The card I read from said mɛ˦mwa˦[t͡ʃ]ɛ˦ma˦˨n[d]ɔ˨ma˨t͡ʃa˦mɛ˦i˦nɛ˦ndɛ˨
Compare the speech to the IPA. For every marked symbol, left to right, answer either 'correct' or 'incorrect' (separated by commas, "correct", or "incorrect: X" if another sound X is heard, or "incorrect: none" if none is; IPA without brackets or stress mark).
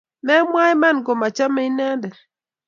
incorrect: none, incorrect: ɡ